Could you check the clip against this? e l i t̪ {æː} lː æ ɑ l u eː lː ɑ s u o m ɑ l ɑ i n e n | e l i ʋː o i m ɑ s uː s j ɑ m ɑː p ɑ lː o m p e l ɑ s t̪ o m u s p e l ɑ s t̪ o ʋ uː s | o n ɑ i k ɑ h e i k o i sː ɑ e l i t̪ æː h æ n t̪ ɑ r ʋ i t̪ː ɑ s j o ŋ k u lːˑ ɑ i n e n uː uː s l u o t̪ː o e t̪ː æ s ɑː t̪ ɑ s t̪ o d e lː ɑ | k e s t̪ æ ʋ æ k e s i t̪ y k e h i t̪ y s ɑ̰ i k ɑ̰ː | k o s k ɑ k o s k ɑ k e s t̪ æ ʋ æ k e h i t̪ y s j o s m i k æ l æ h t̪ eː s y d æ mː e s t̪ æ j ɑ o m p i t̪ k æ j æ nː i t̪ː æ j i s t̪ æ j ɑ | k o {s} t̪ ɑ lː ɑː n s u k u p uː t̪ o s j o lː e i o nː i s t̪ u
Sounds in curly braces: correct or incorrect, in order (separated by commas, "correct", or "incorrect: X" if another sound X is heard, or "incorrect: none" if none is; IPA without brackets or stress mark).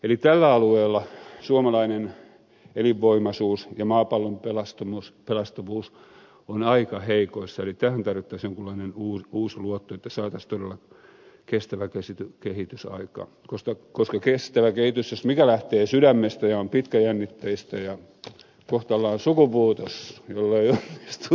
incorrect: æ, incorrect: h